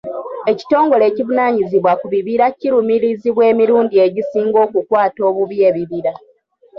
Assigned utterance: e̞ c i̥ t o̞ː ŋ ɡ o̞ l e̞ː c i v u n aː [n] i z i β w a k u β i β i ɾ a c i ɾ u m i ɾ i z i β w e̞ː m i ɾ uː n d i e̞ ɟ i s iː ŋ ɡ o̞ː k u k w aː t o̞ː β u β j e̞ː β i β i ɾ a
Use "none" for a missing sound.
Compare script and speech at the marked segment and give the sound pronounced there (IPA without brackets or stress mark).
ɲ